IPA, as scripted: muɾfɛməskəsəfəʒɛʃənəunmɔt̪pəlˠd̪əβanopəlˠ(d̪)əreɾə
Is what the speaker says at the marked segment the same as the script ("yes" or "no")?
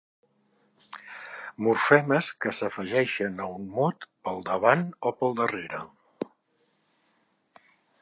yes